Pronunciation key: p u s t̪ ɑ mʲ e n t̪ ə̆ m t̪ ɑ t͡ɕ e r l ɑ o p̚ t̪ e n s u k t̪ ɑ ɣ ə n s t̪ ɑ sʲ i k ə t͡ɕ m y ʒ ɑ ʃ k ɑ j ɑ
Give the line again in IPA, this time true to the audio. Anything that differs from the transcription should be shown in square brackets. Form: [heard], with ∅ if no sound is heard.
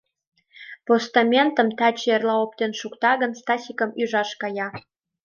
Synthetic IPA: p [o] s t̪ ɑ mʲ e n t̪ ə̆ m t̪ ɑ t͡ɕ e r l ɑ o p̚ t̪ e n [ʃ] u k t̪ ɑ ɣ ə n s t̪ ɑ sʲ i k ə [∅] m y ʒ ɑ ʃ k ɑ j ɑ